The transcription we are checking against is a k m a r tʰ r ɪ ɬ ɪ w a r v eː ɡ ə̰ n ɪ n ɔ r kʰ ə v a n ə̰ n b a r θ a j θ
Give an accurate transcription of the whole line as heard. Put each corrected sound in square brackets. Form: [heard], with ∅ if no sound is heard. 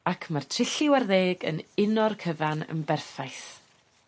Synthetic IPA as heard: a [kʰ] m a r tʰ r ɪ ɬ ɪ w a r [ð] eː ɡ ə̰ n ɪ n ɔ r kʰ ə v a n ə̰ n b [ɛ] r [f] a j θ